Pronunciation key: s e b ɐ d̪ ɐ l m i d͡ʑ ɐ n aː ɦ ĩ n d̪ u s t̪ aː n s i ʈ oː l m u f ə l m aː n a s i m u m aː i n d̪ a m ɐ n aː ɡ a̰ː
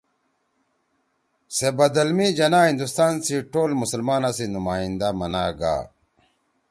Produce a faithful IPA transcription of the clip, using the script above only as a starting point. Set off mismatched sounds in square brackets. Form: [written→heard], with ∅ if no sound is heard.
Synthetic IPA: s e b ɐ d̪ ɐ l m i d͡ʑ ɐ n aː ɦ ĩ n d̪ u s t̪ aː n s i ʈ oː l m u [f→s] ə l m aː n a s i [m→n] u m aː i n d̪ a m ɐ n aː ɡ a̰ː